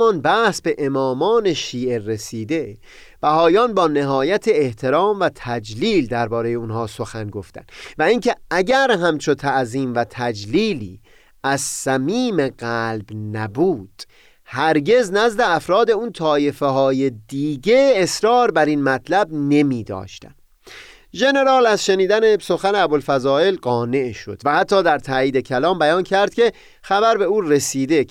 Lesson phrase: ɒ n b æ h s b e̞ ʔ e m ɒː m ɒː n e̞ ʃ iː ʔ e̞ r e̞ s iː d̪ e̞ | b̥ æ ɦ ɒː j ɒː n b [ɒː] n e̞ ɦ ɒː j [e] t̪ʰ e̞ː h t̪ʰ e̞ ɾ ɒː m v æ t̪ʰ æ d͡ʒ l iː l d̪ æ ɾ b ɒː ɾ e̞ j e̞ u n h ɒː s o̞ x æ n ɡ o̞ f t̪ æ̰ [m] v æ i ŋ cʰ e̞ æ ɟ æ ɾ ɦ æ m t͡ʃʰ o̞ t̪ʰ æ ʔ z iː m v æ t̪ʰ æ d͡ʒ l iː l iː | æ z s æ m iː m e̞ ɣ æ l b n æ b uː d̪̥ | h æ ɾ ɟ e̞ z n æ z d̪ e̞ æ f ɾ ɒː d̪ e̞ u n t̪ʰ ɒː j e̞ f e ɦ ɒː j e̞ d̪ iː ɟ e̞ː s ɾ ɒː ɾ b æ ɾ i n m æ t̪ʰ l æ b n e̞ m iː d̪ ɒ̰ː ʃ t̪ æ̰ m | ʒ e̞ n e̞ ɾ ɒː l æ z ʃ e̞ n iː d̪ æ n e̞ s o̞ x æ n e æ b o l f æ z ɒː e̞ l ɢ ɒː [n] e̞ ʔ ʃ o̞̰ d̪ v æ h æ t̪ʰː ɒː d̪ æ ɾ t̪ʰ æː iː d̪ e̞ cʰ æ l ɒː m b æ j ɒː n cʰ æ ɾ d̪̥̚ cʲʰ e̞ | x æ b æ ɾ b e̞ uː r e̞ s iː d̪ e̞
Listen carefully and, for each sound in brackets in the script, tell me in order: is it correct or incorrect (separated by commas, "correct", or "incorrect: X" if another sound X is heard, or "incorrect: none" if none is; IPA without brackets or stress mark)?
correct, incorrect: æ, incorrect: n, correct